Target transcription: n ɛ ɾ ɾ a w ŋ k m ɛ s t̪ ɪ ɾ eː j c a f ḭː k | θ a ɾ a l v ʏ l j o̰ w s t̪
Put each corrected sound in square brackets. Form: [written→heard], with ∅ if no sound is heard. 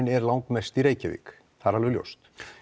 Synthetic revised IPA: n ɛ ɾ [ɾ→l] a w ŋ k m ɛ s t̪ [ɪ→i] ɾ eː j c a [f→v] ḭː k | θ a ɾ a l v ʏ l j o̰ w s t̪